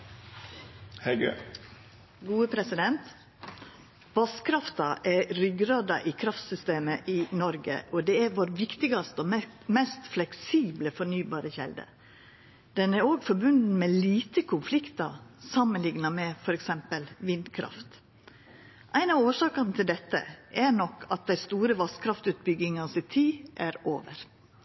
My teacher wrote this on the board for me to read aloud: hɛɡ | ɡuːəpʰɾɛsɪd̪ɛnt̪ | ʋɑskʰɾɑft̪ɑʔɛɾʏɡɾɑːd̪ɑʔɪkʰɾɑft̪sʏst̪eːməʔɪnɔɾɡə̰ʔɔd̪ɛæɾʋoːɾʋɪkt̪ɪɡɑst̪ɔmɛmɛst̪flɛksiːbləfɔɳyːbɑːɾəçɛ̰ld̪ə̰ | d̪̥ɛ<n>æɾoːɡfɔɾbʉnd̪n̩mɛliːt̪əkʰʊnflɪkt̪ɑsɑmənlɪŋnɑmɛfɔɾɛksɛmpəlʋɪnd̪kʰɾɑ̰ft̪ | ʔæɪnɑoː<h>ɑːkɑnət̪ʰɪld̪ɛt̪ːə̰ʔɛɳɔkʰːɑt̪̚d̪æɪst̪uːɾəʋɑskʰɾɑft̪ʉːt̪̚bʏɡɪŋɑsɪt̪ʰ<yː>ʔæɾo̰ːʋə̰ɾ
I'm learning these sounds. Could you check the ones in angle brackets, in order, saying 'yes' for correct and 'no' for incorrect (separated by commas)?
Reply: yes, no, no